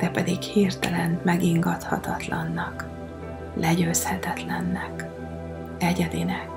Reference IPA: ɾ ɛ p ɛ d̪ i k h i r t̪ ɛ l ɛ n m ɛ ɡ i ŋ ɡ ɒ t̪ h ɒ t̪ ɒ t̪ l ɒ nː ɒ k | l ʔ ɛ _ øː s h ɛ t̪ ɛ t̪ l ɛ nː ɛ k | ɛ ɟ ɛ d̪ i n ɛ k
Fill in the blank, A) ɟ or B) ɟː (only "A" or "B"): A